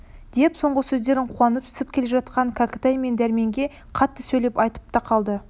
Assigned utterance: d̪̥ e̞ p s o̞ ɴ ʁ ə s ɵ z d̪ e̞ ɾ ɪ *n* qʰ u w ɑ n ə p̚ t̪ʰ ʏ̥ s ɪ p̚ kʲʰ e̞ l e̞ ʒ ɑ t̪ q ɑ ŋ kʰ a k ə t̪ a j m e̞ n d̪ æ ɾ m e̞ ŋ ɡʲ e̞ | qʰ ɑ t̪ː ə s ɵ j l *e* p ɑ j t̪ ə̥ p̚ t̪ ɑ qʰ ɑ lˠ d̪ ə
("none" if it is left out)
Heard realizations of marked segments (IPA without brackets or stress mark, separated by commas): ɴ, e